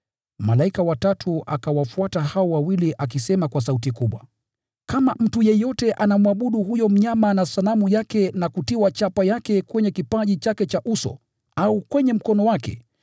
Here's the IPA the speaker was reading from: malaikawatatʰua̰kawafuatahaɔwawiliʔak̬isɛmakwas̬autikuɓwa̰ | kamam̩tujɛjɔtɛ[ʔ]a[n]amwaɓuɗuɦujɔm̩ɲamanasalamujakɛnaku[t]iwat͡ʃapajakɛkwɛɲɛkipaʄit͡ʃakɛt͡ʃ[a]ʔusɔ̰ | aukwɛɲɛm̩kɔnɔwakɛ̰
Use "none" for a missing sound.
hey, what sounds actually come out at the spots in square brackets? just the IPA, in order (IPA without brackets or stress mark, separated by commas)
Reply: ʔ, n, t, a